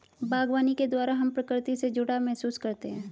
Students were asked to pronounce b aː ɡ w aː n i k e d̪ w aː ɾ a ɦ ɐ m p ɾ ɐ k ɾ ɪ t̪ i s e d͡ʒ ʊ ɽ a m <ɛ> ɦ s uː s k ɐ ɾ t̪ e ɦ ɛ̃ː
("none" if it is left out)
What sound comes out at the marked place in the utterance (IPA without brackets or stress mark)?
ɛ